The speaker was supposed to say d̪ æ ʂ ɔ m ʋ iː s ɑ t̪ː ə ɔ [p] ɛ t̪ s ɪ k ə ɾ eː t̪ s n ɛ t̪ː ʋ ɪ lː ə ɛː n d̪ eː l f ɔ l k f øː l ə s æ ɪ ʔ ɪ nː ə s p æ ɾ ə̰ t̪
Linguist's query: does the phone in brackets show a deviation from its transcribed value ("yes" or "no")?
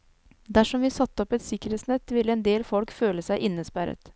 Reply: no